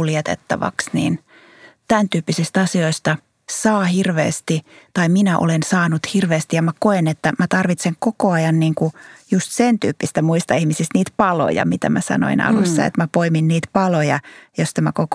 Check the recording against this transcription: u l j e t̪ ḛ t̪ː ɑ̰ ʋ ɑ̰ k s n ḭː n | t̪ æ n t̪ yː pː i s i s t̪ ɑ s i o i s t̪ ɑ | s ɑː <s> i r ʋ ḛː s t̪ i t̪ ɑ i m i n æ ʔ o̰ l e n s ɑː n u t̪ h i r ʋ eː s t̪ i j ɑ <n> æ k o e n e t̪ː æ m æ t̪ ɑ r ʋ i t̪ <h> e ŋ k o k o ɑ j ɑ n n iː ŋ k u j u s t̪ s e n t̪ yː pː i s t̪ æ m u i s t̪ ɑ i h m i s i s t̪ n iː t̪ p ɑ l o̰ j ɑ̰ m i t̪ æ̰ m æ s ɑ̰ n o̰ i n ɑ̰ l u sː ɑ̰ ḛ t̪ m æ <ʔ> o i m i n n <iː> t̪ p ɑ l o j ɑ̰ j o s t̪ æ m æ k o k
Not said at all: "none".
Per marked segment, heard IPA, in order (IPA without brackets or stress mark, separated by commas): h, m, s, p, iː